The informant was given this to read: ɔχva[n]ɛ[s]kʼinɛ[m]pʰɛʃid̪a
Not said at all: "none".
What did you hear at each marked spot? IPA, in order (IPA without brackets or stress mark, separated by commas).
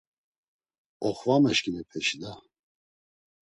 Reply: m, ʃ, none